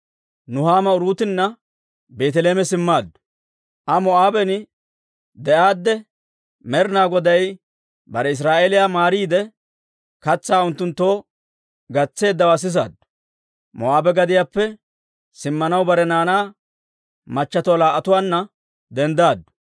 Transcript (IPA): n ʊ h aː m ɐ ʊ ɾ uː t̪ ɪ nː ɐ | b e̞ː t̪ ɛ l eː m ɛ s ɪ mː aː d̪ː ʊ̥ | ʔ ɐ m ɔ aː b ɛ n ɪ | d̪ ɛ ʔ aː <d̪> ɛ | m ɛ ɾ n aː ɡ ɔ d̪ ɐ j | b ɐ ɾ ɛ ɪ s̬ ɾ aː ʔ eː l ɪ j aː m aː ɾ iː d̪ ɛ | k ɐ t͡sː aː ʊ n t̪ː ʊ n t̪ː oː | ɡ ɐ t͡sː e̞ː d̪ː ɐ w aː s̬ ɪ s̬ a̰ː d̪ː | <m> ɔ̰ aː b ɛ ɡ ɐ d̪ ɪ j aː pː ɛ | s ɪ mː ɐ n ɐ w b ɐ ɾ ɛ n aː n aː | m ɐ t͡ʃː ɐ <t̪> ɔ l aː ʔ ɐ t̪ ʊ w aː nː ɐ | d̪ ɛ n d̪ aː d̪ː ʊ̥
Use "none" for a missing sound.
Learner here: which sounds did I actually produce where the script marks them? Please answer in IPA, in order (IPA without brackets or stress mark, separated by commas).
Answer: d̪ː, m, t̪